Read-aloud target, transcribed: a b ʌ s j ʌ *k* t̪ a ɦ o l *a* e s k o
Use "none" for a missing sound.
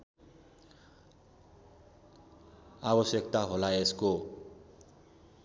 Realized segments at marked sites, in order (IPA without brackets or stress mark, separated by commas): k, a